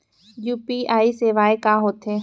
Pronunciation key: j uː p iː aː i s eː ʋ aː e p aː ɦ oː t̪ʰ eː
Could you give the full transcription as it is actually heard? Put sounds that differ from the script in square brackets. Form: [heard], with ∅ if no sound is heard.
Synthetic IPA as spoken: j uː p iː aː i s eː ʋ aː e [k] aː ɦ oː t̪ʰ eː